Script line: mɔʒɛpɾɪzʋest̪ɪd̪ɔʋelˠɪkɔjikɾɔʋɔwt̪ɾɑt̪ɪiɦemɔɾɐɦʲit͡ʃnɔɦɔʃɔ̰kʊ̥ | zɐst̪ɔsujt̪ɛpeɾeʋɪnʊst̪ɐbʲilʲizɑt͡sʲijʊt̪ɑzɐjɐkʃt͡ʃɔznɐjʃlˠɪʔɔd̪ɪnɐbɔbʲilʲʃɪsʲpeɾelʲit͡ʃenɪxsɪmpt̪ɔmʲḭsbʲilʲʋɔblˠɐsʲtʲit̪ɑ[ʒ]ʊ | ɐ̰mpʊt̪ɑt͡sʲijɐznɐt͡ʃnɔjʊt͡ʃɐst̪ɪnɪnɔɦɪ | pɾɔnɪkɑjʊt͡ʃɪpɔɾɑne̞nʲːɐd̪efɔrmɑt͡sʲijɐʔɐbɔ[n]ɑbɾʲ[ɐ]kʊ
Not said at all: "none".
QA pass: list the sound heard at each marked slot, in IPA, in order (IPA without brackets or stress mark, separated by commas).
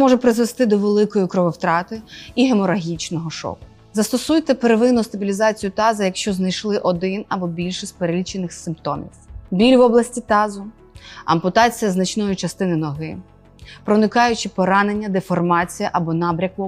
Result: z, n, ɐ